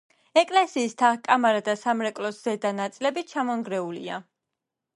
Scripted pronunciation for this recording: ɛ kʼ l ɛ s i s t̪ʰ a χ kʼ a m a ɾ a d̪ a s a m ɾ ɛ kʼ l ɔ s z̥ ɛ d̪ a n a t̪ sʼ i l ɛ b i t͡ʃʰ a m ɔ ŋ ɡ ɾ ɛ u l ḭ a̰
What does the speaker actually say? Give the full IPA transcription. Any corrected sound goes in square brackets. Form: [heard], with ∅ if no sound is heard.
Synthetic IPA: ɛ kʼ l ɛ s [iː] s t̪ʰ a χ kʼ a m a ɾ a d̪ a s a m ɾ ɛ kʼ l ɔ s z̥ ɛ d̪ a n a t̪ sʼ i l ɛ b i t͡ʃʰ a m ɔ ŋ ɡ ɾ ɛ u l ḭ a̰